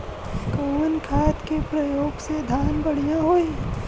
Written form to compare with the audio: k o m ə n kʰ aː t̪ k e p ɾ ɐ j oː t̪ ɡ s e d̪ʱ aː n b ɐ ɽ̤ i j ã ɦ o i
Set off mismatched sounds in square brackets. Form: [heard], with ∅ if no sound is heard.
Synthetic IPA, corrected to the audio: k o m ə n kʰ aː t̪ k e p ɾ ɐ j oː [∅] ɡ s e d̪ʱ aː n b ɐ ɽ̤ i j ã ɦ o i